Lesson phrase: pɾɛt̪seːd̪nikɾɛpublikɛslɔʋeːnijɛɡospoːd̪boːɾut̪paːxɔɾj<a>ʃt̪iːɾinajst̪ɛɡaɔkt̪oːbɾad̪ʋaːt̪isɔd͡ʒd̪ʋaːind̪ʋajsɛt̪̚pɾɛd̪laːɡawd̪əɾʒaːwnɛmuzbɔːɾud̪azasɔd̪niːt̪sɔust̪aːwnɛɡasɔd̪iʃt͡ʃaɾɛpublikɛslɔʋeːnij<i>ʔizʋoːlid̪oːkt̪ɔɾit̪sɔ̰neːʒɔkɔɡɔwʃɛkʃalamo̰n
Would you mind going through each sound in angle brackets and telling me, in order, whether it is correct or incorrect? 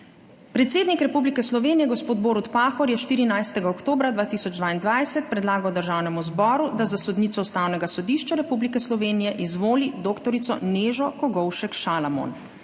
incorrect: ɛ, incorrect: ɛ

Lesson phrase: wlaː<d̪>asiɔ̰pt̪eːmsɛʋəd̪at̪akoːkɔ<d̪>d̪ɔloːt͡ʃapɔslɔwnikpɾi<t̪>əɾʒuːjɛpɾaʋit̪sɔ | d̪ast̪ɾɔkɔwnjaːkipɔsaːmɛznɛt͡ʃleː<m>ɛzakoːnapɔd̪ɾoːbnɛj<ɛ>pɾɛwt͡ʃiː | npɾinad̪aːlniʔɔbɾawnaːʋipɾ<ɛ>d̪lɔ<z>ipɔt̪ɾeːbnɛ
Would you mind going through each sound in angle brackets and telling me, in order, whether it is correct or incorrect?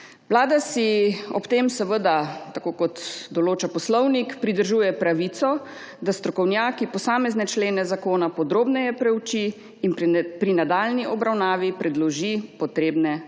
correct, incorrect: t̪, incorrect: d̪, incorrect: n, correct, correct, incorrect: ʒ

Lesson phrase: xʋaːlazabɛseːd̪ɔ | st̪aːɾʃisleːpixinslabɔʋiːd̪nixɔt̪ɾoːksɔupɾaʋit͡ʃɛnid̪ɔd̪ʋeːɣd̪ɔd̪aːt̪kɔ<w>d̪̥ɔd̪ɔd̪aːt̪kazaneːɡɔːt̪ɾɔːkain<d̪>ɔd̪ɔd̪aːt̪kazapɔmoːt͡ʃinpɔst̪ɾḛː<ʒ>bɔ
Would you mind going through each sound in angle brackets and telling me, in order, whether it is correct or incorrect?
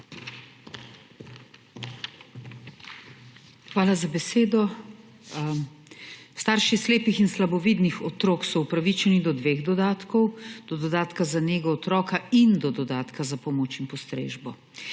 correct, correct, correct

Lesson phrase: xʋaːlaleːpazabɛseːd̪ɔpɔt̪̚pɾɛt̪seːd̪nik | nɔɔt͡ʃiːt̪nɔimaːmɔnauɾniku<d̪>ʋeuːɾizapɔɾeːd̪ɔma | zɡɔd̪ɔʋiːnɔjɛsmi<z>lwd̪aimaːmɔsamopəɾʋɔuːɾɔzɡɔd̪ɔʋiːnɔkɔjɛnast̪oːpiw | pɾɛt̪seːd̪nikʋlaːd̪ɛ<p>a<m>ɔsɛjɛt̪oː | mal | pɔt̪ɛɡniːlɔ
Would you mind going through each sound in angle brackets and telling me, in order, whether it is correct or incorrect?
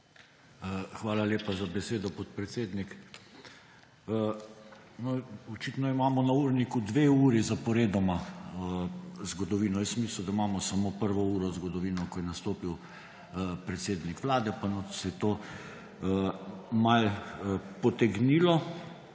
correct, incorrect: s, correct, incorrect: n

